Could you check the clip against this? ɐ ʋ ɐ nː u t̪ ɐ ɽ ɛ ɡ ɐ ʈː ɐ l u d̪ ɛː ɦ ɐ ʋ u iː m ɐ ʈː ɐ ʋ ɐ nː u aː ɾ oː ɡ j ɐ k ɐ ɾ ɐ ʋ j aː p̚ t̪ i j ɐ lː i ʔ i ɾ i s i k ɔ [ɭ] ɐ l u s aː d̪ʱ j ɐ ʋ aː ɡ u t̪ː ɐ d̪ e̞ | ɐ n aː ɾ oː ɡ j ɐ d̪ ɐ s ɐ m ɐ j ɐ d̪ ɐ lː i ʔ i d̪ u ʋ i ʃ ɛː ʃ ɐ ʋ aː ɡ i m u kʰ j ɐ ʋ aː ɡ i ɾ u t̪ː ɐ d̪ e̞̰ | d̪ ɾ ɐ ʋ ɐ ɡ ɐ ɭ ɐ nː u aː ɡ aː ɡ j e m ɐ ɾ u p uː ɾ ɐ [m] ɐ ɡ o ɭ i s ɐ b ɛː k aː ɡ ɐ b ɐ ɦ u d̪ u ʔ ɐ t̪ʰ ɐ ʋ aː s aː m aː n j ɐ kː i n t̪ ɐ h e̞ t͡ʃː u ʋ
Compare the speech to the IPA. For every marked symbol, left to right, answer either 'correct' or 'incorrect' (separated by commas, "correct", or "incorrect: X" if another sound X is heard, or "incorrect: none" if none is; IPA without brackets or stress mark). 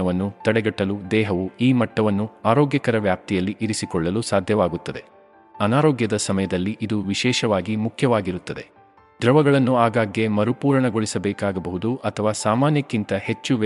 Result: incorrect: ɭː, incorrect: ɳ